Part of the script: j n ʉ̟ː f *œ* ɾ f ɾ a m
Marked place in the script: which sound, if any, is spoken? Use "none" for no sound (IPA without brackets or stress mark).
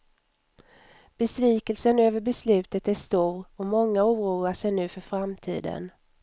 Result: œ